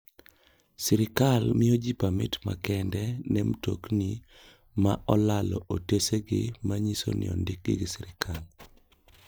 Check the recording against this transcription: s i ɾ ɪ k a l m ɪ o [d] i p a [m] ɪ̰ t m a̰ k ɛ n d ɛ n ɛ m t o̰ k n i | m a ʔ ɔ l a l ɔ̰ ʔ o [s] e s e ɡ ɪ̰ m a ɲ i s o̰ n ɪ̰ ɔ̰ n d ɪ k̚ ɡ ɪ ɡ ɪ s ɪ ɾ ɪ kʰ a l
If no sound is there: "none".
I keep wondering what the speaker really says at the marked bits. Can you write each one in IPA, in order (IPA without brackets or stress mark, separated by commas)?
d͡ʒ, m, t